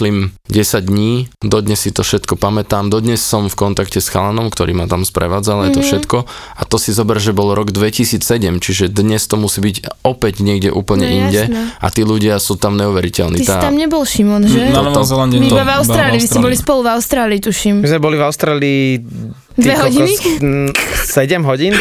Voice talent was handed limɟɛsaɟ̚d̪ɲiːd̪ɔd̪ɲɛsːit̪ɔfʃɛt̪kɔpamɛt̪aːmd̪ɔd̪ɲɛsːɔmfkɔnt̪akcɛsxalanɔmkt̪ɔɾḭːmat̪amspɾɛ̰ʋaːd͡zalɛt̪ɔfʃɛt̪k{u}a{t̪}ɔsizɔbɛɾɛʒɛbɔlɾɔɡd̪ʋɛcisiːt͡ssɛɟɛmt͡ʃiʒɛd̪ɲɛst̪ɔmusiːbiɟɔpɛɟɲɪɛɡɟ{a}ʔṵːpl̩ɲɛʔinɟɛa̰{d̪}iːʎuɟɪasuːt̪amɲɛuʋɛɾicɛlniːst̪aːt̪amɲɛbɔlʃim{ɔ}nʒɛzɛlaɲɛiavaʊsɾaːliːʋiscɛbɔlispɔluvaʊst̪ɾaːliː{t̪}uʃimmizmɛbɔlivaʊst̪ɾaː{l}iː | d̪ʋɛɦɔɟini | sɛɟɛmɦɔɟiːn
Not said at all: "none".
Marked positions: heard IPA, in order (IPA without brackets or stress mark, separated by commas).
ɔ, t̪, ɛ, t̪, ɔ, t̪, l